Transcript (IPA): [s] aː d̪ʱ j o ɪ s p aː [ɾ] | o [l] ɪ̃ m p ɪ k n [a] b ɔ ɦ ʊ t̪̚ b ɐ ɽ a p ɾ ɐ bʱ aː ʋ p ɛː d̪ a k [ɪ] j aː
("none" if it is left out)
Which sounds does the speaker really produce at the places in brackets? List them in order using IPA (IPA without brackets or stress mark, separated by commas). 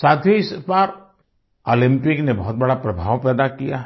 s, ɾ, l, e, i